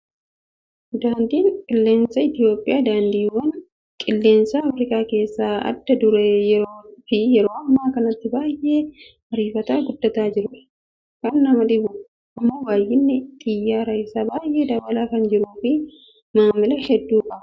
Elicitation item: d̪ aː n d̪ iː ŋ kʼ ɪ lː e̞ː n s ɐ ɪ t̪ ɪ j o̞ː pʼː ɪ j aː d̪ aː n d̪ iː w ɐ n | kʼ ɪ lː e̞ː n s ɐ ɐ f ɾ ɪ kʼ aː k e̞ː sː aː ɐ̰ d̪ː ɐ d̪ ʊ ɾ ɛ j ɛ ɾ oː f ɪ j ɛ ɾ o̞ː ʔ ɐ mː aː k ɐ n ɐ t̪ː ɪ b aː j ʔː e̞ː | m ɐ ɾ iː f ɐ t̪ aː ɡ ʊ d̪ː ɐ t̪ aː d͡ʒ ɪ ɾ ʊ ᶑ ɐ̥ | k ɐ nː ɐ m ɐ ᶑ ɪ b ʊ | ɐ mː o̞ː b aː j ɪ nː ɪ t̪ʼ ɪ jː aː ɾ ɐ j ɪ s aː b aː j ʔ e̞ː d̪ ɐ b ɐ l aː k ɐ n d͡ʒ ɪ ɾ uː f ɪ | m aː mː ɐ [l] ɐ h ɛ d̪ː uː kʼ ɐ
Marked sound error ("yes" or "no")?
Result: no